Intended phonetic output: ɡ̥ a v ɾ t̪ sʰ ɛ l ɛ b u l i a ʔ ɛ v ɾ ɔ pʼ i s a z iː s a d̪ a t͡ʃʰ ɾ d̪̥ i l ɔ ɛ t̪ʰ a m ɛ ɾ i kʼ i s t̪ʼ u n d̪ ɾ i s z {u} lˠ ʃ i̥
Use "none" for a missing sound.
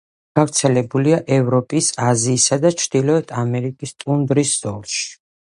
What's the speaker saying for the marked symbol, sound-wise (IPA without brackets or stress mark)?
ɔ